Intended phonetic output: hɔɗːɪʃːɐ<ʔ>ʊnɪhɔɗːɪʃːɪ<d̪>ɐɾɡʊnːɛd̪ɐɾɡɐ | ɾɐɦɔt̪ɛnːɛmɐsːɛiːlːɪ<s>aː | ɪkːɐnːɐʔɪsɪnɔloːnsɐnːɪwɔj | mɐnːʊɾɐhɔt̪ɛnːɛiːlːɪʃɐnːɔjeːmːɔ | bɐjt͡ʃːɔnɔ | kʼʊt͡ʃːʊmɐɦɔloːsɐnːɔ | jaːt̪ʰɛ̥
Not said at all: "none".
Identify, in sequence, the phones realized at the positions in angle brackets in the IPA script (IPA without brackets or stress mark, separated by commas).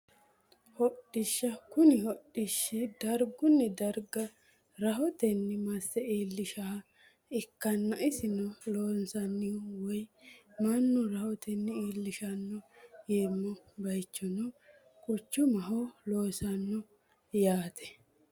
k, d̪, ʃ